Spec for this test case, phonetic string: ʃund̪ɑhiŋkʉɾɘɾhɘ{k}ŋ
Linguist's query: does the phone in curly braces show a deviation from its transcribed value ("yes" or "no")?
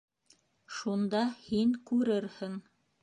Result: yes